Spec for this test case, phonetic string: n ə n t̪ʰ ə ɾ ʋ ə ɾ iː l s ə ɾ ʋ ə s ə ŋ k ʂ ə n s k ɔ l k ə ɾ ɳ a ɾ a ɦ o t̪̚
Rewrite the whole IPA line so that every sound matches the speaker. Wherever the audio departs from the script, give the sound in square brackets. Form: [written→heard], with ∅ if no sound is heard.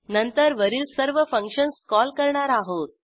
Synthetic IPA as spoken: n ə n [t̪ʰ→t̪] ə ɾ ʋ ə ɾ iː l s ə ɾ ʋ ə [s→f] ə ŋ k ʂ ə n s k ɔ l k ə ɾ ɳ a ɾ a ɦ o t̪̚